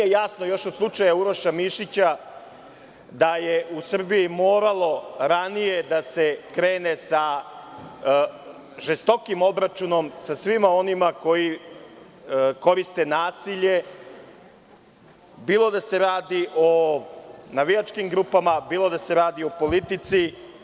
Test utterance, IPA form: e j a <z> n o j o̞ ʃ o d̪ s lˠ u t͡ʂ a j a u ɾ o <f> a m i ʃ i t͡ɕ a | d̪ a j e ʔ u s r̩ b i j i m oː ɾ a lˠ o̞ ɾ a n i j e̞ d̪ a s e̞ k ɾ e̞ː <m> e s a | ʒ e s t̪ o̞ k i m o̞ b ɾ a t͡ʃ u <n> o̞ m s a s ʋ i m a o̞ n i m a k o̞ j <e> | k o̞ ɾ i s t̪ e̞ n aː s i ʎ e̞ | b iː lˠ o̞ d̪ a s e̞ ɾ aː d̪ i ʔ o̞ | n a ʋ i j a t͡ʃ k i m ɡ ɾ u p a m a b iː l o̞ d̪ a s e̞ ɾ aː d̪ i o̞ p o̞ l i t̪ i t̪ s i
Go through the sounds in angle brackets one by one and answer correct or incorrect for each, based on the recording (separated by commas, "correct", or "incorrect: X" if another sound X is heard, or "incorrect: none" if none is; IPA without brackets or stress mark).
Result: incorrect: s, incorrect: ʃ, incorrect: n, correct, incorrect: i